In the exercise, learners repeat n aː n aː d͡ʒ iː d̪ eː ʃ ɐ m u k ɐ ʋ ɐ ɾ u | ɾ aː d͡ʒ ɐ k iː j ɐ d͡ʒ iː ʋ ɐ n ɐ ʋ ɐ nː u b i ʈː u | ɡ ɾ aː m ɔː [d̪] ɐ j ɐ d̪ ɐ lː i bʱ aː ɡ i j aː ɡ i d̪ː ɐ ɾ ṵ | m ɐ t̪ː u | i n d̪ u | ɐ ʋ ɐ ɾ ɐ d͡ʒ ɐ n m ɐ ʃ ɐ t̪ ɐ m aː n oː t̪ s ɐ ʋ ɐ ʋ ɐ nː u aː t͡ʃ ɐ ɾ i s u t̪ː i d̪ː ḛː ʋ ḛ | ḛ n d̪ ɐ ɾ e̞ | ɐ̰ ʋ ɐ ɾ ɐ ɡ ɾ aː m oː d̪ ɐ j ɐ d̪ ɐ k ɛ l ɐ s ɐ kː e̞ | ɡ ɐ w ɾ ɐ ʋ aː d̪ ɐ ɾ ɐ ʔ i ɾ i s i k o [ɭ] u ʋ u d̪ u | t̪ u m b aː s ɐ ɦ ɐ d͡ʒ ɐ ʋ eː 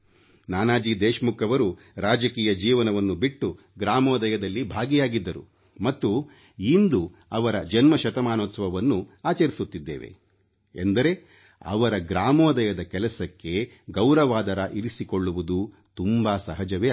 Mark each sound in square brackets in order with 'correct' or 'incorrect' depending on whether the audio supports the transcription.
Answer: correct, incorrect: ɭː

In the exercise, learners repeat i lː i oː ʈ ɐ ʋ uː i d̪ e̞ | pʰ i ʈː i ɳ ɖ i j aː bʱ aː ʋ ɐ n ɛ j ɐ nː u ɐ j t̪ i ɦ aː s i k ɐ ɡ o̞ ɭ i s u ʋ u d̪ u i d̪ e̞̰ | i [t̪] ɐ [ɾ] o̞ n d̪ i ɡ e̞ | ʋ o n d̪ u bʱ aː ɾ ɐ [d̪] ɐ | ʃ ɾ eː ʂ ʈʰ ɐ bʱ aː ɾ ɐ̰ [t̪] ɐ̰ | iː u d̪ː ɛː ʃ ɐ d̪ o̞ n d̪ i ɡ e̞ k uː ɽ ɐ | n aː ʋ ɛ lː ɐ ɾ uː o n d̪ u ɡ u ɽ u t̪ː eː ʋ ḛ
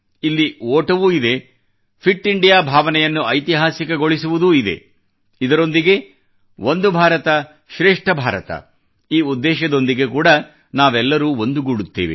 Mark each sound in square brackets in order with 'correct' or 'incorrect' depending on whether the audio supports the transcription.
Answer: incorrect: d̪, correct, incorrect: t̪, correct

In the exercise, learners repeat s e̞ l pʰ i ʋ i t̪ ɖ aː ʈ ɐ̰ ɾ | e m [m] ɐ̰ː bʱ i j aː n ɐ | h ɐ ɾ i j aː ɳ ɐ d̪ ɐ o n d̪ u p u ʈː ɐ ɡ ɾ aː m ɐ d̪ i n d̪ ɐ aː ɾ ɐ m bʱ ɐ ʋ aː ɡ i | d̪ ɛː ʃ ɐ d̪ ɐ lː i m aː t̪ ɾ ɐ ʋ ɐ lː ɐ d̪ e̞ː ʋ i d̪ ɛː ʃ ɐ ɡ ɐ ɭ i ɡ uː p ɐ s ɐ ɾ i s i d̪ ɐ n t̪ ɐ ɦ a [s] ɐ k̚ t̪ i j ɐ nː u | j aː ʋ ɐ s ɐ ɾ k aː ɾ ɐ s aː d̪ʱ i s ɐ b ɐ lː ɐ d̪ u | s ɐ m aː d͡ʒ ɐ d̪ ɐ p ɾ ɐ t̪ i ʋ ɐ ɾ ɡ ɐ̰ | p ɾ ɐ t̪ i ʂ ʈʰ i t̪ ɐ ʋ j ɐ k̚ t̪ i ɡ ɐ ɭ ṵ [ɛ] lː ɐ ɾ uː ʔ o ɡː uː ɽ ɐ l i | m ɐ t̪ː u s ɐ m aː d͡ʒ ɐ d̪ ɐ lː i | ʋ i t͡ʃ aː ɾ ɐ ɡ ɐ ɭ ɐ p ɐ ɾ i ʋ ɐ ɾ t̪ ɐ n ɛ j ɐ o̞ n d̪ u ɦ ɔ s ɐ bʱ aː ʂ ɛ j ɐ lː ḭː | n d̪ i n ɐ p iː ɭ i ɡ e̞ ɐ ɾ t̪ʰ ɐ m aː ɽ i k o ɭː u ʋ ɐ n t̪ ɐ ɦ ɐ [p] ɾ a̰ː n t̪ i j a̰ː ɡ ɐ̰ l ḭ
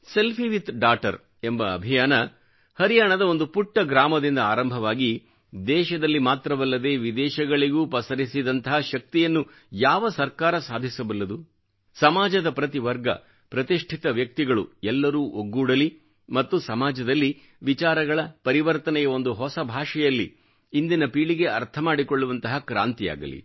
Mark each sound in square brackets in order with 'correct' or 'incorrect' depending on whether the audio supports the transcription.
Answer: incorrect: b, incorrect: ʃ, correct, incorrect: k

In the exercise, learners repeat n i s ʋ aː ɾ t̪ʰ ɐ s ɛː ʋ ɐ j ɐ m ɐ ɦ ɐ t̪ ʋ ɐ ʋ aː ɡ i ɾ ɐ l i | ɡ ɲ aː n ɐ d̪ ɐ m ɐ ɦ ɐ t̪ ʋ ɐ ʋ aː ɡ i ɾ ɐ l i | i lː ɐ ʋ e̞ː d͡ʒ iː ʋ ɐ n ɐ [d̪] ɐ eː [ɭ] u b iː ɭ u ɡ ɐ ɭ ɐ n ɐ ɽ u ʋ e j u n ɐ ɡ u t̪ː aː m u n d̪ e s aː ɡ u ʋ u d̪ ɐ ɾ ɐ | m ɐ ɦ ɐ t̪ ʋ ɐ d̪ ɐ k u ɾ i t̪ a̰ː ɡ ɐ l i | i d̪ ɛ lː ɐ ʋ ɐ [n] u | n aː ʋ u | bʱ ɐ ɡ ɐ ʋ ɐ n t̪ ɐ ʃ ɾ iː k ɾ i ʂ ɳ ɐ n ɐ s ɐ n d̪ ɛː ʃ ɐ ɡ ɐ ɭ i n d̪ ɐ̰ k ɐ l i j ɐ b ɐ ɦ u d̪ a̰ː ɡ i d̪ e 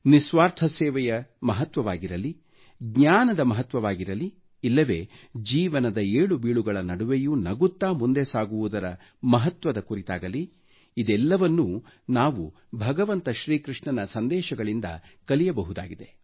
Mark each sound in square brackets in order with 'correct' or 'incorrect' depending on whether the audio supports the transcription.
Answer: correct, correct, incorrect: nː

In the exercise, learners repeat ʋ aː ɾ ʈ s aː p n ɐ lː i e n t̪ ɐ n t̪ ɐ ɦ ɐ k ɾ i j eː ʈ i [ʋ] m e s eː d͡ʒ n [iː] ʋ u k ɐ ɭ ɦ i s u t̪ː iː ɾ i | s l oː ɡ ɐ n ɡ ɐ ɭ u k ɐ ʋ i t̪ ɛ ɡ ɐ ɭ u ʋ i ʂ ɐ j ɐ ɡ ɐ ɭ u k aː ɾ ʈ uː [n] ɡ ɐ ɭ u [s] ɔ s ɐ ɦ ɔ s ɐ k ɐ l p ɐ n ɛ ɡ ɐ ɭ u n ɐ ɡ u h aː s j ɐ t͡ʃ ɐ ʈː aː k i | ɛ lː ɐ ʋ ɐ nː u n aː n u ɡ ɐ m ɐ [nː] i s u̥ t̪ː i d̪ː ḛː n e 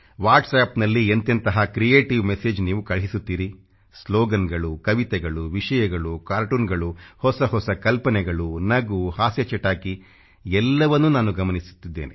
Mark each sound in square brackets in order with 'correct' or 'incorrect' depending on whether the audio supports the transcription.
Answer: correct, correct, correct, incorrect: h, incorrect: n

